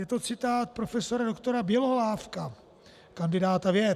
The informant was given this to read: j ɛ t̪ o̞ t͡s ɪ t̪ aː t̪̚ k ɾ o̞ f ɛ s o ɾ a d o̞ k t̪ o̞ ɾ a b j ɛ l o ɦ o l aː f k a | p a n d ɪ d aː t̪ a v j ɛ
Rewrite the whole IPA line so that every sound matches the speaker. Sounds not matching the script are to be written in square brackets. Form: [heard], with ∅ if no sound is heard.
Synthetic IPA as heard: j ɛ t̪ o̞ t͡s ɪ t̪ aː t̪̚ [p] ɾ o̞ f ɛ s o ɾ a d o̞ k t̪ o̞ ɾ a b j ɛ l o ɦ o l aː f k a | [k] a n d ɪ d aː t̪ a v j ɛ